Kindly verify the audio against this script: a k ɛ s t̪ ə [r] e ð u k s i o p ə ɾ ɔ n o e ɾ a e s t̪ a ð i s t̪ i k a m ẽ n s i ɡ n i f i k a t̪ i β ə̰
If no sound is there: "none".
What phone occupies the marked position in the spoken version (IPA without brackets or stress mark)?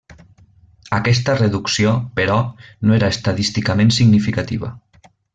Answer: r